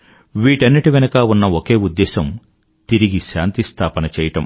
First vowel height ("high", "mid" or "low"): high